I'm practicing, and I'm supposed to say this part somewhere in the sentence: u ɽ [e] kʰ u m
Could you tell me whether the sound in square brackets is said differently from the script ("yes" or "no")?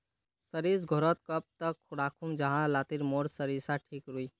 yes